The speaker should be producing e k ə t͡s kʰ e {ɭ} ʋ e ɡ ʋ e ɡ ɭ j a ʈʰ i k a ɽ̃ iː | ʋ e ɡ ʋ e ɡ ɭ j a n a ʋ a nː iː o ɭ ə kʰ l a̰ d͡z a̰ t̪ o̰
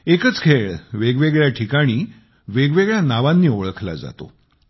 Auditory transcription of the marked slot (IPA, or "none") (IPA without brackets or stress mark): ɭ